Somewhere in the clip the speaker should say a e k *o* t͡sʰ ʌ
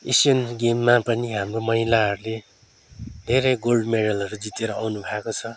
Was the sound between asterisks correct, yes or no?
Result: yes